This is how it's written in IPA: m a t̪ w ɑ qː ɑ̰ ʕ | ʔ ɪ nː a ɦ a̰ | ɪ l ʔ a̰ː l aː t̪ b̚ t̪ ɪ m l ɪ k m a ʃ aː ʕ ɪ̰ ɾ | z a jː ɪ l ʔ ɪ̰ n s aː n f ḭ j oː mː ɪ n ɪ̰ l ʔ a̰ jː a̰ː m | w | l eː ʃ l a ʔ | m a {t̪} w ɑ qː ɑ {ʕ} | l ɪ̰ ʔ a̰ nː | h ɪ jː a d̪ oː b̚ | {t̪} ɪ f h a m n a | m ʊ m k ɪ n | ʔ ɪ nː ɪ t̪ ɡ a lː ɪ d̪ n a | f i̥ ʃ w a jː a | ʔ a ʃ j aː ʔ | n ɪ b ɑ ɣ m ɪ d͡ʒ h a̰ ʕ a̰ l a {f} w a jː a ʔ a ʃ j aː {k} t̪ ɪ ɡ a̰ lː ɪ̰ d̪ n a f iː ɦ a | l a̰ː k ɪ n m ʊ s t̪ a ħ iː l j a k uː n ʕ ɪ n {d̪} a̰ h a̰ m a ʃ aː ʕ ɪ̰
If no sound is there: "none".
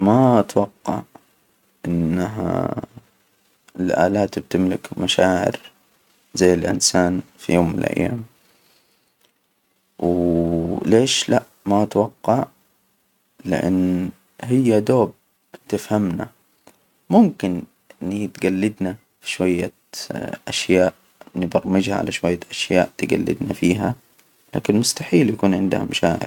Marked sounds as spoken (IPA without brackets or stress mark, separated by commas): t̪, ʕ, t̪, ʃ, ʔ, d̪